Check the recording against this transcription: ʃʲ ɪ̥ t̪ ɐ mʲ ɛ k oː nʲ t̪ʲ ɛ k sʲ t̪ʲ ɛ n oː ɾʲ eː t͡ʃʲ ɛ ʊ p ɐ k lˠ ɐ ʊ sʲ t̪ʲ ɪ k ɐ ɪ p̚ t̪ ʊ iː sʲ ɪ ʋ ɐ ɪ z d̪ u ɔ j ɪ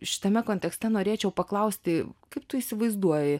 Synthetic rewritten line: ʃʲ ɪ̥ t̪ ɐ mʲ ɛ k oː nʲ t̪ʲ ɛ k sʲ t̪ʲ ɛ n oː ɾʲ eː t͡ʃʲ ɛ ʊ p ɐ k lˠ ɐ ʊ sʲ t̪ʲ ɪ k ɐ ɪ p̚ t̪ ʊ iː sʲ ɪ ʋ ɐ ɪ z d̪ u ɔ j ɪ

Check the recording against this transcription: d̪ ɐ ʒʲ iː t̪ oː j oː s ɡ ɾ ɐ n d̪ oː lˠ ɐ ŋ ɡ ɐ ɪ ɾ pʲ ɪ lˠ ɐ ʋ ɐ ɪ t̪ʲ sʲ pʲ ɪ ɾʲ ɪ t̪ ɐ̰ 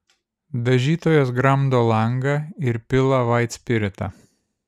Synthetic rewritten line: d̪ ɐ ʒʲ iː t̪ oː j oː s ɡ ɾ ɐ m d̪ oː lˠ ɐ ŋ ɡ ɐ ɪ ɾ pʲ ɪ lˠ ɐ ʋ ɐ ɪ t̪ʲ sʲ pʲ ɪ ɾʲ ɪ t̪ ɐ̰

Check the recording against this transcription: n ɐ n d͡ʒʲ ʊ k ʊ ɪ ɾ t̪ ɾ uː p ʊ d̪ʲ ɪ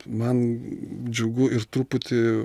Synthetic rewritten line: m ɐ n d͡ʒʲ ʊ ɡ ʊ ɪ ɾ t̪ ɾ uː p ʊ t̪ʲ ɪ

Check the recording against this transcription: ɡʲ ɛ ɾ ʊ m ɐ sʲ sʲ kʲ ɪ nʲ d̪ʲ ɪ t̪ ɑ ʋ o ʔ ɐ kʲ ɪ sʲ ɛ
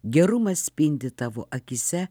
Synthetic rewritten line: ɡʲ ɛ ɾ ʊ m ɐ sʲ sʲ pʲ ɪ nʲ d̪ʲ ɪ t̪ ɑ ʋ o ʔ ɐ kʲ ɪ sʲ ɛ

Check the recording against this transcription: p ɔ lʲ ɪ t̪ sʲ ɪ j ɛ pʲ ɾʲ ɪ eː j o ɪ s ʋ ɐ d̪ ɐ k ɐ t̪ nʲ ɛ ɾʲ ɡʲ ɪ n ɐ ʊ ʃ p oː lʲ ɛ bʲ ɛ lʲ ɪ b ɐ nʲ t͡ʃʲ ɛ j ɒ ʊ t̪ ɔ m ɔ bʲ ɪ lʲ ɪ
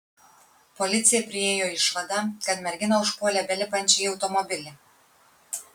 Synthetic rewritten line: p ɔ lʲ ɪ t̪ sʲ ɪ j ɛ pʲ ɾʲ ɪ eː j o ɪ ʃ ʋ ɐ d̪ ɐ k ɐ t̪ mʲ ɛ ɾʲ ɡʲ ɪ n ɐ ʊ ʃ p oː lʲ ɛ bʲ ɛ lʲ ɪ p ɐ nʲ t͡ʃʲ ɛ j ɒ ʊ t̪ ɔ m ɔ bʲ ɪ lʲ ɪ

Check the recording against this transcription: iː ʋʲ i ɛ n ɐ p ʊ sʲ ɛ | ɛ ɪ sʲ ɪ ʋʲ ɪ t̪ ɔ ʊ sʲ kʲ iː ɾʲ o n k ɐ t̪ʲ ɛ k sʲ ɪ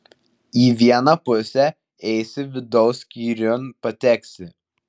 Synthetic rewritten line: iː ʋʲ i ɛ n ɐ p ʊ sʲ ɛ | ɛ ɪ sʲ ɪ ʋʲ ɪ d̪ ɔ ʊ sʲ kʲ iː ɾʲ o n p ɐ t̪ʲ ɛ k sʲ ɪ

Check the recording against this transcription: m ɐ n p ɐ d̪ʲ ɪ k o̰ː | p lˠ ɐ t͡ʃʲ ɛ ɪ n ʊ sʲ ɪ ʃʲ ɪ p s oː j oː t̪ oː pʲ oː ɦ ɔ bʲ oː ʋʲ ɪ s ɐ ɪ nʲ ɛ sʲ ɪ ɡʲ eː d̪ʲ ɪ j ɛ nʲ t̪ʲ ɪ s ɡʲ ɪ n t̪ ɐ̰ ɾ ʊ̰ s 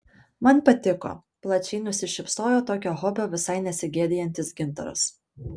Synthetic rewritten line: m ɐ n p ɐ t̪ʲ ɪ k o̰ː | p lˠ ɐ t͡ʃʲ ɛ ɪ n ʊ sʲ ɪ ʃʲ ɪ p s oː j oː t̪ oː kʲ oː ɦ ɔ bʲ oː ʋʲ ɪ s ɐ ɪ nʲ ɛ sʲ ɪ ɡʲ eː d̪ʲ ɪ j ɛ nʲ t̪ʲ ɪ s ɡʲ ɪ n t̪ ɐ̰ ɾ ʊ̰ s

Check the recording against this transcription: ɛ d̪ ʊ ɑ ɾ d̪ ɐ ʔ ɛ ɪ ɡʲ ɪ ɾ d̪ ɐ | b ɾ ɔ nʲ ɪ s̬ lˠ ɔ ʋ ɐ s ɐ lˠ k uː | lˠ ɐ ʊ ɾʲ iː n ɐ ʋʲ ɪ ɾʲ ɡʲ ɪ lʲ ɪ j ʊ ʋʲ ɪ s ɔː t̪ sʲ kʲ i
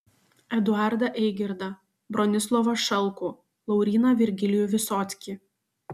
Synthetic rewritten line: ɛ d̪ ʊ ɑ ɾ d̪ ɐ ʔ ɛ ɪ ɡʲ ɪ ɾ d̪ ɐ | b ɾ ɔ nʲ ɪ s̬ lˠ ɔ ʋ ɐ ʃ ɐ lˠ k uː | lˠ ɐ ʊ ɾʲ iː n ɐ ʋʲ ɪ ɾʲ ɡʲ ɪ lʲ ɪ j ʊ ʋʲ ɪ s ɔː t̪ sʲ kʲ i

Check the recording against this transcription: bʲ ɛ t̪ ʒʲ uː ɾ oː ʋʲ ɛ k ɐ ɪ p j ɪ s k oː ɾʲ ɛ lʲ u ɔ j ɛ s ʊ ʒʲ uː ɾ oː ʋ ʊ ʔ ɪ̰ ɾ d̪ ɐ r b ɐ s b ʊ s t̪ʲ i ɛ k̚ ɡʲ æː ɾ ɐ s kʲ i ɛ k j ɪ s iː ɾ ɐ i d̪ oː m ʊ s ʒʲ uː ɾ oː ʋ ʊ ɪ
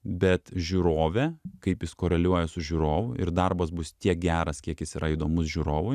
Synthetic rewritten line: bʲ ɛ t̪ ʒʲ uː ɾ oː ʋʲ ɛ k ɐ ɪ p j ɪ s k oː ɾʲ ɛ lʲ u ɔ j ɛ s ʊ ʒʲ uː ɾ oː ʋ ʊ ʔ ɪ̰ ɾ d̪ ɐ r b ɐ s b ʊ s t̪ʲ i ɛ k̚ ɡʲ æː ɾ ɐ s kʲ i ɛ k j ɪ s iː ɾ ɐ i d̪ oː m ʊ s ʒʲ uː ɾ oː ʋ ʊ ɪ

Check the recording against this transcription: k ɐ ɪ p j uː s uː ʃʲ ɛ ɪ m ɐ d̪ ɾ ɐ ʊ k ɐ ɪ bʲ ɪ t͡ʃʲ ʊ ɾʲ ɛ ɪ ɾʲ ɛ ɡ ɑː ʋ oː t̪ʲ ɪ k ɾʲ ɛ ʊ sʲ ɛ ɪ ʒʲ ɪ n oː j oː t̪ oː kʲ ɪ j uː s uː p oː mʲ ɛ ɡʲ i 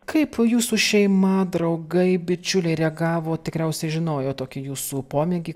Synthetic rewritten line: k ɐ ɪ p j uː s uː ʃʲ ɛ ɪ m ɐ d̪ ɾ ɐ ʊ ɡ ɐ ɪ bʲ ɪ t͡ʃʲ ʊ lʲ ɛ ɪ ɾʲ ɛ ɡ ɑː ʋ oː t̪ʲ ɪ k ɾʲ ɛ ʊ sʲ ɛ ɪ ʒʲ ɪ n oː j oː t̪ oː kʲ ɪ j uː s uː p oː mʲ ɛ ɡʲ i

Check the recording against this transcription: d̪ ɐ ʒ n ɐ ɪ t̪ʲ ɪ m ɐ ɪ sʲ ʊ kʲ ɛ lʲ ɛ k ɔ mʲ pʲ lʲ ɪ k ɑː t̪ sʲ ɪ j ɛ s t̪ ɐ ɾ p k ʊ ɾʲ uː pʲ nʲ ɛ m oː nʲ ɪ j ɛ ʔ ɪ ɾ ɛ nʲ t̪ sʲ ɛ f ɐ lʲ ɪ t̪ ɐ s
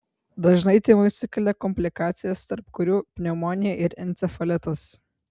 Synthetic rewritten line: d̪ ɐ ʒ n ɐ ɪ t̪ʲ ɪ m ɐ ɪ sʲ ʊ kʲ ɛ lʲ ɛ k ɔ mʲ pʲ lʲ ɪ k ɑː t̪ sʲ ɪ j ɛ s t̪ ɐ ɾ p k ʊ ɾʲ uː pʲ nʲ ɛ m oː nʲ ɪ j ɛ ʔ ɪ ɾ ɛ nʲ t̪ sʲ ɛ f ɐ lʲ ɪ t̪ ɐ s

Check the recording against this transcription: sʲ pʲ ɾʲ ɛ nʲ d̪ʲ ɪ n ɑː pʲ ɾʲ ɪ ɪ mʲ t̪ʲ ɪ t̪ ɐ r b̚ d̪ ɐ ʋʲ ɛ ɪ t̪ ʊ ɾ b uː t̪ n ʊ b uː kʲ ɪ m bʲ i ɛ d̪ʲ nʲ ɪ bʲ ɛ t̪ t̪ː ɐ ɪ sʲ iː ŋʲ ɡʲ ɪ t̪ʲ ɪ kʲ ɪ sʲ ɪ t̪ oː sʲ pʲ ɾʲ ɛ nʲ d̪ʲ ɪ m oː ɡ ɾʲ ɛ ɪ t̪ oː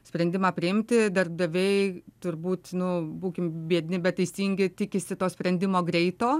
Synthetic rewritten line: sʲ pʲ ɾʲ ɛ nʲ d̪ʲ ɪ m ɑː pʲ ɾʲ ɪ ɪ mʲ t̪ʲ ɪ d̪ ɐ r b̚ d̪ ɐ ʋʲ ɛ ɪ t̪ ʊ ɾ b uː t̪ n ʊ b uː kʲ ɪ m bʲ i ɛ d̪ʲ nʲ ɪ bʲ ɛ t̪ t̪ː ɐ ɪ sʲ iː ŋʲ ɡʲ ɪ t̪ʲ ɪ kʲ ɪ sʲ ɪ t̪ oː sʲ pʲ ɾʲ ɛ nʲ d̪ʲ ɪ m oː ɡ ɾʲ ɛ ɪ t̪ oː

